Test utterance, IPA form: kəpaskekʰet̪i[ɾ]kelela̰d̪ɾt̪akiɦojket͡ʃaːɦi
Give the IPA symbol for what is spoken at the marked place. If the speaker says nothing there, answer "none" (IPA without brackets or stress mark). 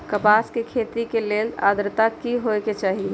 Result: none